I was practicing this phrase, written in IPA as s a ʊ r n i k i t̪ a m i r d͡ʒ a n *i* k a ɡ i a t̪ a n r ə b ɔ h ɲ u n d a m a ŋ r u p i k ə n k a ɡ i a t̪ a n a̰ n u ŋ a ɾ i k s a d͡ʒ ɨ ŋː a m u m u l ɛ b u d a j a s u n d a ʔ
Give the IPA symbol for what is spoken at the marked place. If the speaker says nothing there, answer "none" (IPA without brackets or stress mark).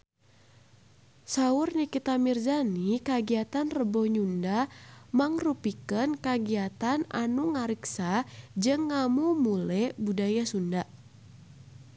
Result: i